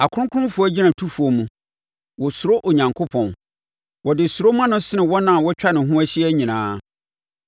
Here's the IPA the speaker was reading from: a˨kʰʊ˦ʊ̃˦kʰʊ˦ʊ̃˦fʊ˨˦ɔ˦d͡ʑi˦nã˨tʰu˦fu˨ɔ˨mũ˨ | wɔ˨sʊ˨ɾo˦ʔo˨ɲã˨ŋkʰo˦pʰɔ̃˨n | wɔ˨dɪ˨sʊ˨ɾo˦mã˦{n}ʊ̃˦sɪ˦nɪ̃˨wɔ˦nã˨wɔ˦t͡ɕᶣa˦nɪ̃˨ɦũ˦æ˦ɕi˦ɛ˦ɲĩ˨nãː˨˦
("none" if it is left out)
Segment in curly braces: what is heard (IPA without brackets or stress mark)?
n